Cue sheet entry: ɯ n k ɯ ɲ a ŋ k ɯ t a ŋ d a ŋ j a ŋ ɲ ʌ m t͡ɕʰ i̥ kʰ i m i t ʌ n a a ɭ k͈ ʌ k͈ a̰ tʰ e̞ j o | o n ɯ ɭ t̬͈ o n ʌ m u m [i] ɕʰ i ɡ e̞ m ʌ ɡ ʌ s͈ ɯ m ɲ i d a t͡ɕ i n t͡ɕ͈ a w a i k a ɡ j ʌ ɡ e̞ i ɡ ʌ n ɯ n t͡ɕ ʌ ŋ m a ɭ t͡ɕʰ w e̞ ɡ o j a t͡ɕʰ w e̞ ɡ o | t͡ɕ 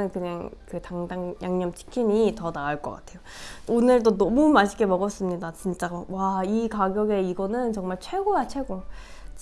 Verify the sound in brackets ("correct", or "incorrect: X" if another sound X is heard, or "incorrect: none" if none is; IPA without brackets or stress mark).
incorrect: a